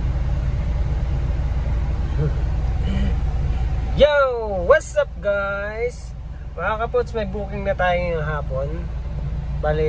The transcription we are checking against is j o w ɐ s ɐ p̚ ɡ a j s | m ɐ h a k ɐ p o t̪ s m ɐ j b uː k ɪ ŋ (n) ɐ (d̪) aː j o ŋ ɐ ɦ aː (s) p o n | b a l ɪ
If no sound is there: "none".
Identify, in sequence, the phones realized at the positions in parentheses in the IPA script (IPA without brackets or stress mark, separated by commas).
n, t̪, none